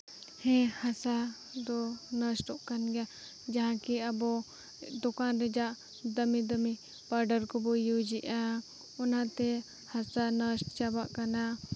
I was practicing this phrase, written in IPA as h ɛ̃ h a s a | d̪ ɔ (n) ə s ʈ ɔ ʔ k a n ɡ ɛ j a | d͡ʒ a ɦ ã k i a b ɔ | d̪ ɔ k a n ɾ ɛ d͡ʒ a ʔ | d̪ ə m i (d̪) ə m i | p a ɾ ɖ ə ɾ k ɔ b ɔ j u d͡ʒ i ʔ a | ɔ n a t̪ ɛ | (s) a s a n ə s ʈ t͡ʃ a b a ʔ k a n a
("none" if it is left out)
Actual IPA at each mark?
n, d̪, h

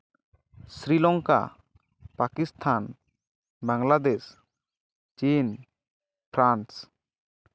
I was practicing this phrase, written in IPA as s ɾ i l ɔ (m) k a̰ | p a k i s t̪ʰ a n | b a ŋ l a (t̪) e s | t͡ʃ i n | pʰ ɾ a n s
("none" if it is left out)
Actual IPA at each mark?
ŋ, d̪

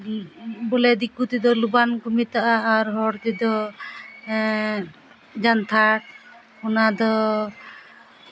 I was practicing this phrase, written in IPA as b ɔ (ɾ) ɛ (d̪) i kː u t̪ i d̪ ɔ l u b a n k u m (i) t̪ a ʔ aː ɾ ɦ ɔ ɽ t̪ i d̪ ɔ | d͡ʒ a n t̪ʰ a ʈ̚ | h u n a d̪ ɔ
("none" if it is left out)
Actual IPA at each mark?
l, d̪, i

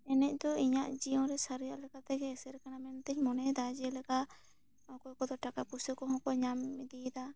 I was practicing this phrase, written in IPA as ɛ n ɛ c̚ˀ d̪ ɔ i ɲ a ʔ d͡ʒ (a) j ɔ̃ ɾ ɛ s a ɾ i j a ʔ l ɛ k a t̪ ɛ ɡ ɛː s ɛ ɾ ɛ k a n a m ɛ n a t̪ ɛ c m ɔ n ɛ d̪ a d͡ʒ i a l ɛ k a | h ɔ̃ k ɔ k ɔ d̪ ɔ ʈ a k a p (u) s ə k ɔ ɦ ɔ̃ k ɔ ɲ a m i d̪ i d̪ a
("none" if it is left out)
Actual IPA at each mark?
i, u

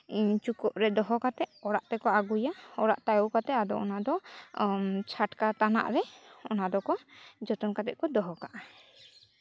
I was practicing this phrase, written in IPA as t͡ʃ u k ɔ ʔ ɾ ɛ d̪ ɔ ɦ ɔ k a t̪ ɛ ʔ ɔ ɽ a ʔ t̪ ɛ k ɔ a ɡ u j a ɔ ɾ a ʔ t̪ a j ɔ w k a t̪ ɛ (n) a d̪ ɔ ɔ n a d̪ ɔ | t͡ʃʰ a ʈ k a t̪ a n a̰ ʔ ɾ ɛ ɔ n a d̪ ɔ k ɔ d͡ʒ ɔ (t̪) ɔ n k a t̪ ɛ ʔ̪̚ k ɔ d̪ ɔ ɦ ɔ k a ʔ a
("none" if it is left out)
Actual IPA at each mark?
none, t̪

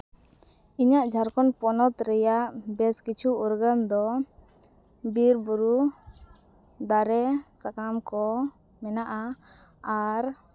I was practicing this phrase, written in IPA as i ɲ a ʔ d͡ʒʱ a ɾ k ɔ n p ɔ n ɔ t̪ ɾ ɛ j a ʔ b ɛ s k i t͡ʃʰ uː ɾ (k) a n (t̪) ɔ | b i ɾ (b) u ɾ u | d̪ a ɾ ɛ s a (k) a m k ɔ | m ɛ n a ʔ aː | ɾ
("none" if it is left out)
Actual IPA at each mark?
ɡ, d̪, b, k

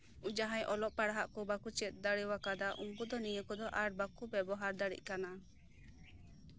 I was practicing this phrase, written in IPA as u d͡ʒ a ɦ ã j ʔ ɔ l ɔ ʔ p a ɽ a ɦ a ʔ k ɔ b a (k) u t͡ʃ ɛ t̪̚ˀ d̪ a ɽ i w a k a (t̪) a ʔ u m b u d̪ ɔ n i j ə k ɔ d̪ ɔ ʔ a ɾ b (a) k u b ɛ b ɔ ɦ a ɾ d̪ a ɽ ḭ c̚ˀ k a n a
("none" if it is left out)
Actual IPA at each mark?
k, d̪, a

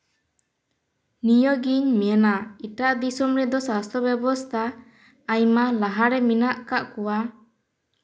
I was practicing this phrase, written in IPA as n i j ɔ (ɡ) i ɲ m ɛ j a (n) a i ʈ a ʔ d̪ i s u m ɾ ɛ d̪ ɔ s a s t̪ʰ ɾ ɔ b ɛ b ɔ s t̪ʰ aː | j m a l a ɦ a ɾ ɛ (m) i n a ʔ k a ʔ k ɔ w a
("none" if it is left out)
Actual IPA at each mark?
ɡ, n, m

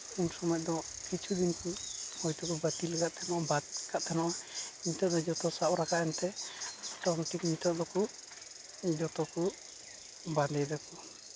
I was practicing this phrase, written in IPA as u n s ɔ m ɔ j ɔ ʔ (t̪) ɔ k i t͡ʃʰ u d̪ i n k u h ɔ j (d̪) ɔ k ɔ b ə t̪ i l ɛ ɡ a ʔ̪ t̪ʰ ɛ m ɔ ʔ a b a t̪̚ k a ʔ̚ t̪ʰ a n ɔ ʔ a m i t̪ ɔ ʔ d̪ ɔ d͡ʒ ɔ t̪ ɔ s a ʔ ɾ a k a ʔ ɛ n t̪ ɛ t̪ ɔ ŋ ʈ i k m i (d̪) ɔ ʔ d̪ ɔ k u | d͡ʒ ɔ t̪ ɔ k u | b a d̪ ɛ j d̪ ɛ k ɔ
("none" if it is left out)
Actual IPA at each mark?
d̪, t̪, t̪

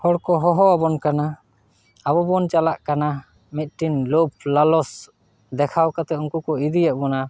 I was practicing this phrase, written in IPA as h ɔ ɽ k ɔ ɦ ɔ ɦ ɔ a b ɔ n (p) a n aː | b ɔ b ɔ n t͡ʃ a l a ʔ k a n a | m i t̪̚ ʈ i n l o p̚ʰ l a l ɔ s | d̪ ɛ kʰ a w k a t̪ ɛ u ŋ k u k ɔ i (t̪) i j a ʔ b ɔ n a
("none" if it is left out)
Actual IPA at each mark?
k, d̪

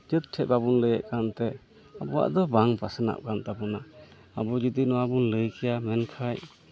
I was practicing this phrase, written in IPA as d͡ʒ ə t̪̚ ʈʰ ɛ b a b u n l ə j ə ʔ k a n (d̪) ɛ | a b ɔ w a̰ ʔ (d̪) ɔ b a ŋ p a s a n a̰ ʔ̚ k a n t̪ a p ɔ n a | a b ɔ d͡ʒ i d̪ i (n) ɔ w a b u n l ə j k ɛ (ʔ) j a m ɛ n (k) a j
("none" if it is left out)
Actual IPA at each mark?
t̪, d̪, n, none, kʰ

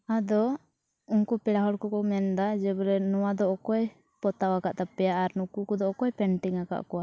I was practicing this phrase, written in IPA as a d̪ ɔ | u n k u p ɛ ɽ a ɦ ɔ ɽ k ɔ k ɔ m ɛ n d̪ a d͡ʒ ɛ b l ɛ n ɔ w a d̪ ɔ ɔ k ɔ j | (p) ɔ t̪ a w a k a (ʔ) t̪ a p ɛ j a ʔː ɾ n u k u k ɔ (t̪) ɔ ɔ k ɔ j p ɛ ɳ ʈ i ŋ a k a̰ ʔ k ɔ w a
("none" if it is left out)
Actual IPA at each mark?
p, ʔ, d̪

